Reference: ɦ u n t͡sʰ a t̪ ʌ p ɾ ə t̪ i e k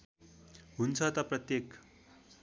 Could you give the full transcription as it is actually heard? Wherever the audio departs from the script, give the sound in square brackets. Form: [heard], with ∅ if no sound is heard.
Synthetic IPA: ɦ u n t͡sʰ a t̪ [a] p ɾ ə t̪ [j] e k